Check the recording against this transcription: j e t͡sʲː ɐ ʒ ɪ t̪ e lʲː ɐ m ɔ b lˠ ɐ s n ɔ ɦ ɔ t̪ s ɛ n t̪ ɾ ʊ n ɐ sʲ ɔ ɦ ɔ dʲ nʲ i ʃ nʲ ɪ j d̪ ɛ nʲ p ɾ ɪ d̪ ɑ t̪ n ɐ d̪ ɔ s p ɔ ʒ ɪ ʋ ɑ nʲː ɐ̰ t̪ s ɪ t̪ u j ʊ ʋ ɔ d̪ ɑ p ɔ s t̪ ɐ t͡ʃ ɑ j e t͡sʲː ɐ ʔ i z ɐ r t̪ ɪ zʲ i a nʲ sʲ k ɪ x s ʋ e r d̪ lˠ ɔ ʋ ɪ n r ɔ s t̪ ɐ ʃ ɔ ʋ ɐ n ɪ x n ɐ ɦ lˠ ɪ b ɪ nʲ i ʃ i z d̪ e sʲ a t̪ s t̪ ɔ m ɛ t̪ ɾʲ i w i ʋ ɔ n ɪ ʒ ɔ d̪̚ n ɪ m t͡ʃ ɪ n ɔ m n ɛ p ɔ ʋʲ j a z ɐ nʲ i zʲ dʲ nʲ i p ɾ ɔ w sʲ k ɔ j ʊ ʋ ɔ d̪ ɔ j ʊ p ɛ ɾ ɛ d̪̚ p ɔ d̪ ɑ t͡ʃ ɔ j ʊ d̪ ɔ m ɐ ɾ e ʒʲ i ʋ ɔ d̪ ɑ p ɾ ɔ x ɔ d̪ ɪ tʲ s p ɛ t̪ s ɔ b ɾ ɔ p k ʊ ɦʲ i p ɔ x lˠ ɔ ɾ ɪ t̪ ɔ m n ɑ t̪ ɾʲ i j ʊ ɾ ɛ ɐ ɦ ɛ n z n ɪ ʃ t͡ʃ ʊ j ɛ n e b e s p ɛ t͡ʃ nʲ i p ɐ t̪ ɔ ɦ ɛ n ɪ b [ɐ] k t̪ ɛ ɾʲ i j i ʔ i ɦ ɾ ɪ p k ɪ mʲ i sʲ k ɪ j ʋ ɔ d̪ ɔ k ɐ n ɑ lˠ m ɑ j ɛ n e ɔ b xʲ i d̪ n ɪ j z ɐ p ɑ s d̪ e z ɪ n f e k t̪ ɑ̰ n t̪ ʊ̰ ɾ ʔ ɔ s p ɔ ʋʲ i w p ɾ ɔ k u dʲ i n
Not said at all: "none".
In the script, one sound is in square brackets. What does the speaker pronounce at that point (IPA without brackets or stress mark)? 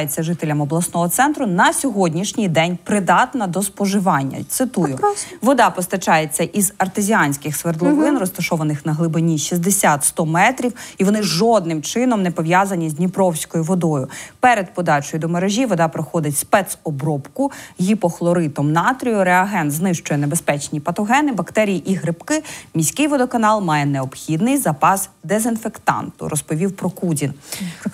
ɐ